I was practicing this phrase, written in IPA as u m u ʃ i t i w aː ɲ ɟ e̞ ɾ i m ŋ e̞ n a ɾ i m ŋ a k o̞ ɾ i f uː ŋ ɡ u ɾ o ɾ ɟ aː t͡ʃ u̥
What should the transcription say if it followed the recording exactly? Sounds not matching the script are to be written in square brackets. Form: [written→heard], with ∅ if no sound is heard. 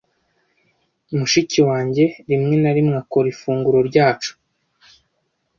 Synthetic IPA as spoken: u m u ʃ i [t→c] i w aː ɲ ɟ e̞ ɾ i m ŋ e̞ n a ɾ i m ŋ a k o̞ ɾ i f uː ŋ ɡ u ɾ o ɾ ɟ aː t͡ʃ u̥